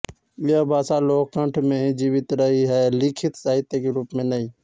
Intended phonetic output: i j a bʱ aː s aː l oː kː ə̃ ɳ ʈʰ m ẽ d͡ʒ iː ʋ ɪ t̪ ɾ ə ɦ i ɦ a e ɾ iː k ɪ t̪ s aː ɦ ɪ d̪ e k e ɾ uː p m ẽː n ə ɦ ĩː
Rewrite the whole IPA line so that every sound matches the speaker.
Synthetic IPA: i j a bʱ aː s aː l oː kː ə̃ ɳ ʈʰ m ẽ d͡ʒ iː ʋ ɪ t̪ ɾ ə ɦ i ɦ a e l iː kʰ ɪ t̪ s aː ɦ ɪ t̪ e k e ɾ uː p m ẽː n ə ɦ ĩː